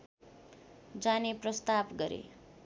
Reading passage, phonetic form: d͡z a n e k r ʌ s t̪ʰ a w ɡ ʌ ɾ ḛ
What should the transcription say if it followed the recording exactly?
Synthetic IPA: d͡z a n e p r ʌ s t̪ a b ɡ ʌ ɾ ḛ